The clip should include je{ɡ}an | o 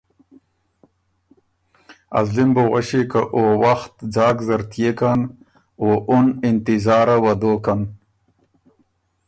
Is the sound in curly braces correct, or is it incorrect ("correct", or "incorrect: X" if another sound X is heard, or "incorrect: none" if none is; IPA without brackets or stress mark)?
incorrect: k